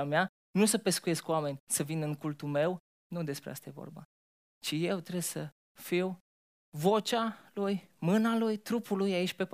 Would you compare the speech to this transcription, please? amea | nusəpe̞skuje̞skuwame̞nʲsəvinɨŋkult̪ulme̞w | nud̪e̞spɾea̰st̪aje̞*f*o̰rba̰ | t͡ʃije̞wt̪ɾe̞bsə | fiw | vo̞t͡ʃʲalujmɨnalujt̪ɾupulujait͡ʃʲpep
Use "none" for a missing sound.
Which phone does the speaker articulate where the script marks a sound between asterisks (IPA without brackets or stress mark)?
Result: v